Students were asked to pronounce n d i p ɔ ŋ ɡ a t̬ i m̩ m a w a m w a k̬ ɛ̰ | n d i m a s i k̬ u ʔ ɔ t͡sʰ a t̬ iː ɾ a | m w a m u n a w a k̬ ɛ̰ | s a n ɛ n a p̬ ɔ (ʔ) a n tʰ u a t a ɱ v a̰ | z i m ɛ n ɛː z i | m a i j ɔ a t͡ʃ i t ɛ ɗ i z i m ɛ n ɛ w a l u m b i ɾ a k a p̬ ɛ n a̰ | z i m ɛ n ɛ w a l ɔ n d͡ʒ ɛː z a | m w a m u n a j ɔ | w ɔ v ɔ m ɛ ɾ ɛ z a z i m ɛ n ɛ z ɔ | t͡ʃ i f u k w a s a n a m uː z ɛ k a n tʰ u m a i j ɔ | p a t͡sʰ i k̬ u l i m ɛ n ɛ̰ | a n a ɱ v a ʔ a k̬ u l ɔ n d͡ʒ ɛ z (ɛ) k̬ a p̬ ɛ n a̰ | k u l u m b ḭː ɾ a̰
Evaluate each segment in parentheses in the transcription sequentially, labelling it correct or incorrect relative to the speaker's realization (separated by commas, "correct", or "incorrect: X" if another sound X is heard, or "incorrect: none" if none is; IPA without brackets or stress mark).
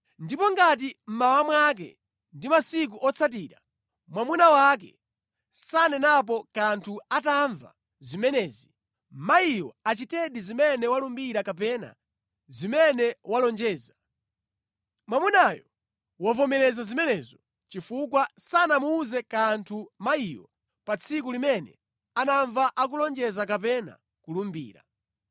incorrect: k, incorrect: a